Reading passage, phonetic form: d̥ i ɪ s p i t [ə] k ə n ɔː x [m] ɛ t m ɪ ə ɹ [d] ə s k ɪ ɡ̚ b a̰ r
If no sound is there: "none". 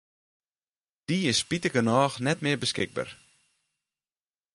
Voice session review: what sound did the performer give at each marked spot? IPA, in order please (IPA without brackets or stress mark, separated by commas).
ə, n, b